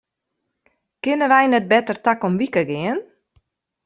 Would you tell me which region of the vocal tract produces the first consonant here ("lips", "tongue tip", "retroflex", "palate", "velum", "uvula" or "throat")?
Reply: velum